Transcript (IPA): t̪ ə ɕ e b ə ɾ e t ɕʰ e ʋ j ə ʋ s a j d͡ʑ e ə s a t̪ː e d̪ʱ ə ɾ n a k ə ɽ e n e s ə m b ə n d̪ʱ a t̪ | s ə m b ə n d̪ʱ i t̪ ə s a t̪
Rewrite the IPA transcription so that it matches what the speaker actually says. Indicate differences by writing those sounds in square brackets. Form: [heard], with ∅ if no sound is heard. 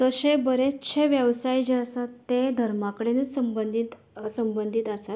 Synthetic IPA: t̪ ə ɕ e b ə ɾ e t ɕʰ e ʋ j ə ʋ s a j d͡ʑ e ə s a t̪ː e d̪ʱ ə ɾ [m] a k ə ɽ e n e s ə m b ə n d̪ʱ [i] t̪ | s ə m b ə n d̪ʱ i t̪ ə s a t̪